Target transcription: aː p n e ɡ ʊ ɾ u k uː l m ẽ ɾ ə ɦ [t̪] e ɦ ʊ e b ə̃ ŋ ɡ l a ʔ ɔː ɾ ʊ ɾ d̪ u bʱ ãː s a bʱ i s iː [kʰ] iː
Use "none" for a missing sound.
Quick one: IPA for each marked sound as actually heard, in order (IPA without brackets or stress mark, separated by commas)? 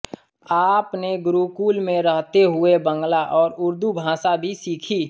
t̪, kʰ